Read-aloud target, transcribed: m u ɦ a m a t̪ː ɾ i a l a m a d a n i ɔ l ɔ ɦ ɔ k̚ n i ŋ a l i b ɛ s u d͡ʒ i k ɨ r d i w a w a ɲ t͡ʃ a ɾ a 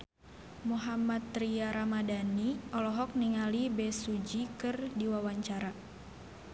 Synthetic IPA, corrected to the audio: m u ɦ a m a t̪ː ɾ i a ɾ a m a d a n i ɔ l ɔ ɦ ɔ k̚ n i ŋ a l i b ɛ s u d͡ʒ i k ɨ r d i w a w a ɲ t͡ʃ a ɾ a